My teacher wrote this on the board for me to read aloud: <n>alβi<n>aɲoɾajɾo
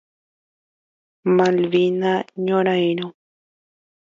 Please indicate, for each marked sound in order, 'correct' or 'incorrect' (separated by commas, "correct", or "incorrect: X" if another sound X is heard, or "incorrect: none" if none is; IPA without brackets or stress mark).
incorrect: m, correct